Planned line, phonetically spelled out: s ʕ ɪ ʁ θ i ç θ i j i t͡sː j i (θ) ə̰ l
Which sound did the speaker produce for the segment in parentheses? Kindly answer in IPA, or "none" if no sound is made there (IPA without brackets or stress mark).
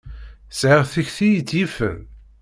f